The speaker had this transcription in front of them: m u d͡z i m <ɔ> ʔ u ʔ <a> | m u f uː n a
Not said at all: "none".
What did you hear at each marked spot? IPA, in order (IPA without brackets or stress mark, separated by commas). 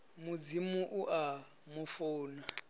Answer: u, a